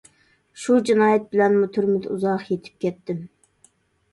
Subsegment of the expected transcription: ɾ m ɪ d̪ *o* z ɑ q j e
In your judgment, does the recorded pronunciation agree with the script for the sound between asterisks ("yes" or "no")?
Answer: no